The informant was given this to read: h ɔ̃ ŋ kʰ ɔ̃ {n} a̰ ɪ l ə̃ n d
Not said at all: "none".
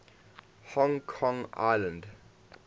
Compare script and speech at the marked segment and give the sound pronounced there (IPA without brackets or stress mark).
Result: ŋ